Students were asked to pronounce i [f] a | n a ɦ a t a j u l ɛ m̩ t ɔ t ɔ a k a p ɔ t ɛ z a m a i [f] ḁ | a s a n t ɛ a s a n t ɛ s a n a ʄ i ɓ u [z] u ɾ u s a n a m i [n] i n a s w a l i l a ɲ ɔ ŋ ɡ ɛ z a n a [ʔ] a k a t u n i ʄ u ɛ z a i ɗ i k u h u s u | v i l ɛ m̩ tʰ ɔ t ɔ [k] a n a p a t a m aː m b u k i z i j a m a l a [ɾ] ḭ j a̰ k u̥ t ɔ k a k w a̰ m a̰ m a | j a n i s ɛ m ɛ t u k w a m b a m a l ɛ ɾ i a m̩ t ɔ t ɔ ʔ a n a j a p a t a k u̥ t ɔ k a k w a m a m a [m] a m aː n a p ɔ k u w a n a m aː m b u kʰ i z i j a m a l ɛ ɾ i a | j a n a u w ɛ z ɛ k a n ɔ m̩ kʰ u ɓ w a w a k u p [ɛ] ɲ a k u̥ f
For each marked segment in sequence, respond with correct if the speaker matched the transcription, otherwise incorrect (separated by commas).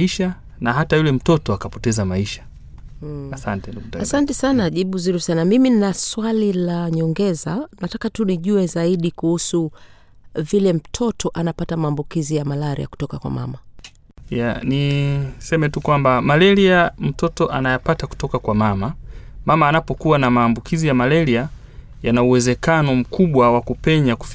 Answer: incorrect, incorrect, correct, incorrect, incorrect, incorrect, correct, correct, correct